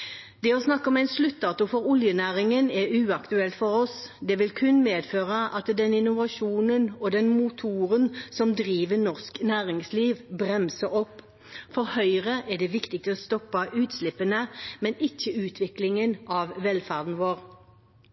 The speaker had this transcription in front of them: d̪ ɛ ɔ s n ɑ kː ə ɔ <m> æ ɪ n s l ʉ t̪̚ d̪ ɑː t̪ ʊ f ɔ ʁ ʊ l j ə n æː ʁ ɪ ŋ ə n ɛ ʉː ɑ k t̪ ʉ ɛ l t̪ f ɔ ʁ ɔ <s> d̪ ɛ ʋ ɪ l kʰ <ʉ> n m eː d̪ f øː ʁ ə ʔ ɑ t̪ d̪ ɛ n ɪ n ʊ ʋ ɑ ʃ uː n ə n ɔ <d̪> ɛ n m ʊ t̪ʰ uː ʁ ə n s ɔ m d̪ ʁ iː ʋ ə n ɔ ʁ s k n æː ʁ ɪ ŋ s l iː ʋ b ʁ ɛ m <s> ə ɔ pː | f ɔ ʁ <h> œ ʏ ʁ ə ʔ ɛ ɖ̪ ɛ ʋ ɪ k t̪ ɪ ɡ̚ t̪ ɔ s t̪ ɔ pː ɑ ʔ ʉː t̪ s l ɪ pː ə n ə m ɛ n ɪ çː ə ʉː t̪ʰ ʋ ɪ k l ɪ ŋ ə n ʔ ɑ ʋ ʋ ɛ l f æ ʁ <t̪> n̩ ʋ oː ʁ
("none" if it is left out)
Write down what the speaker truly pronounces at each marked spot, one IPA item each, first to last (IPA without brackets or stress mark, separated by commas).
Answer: m, s, ʉ, d̪, s, h, d̪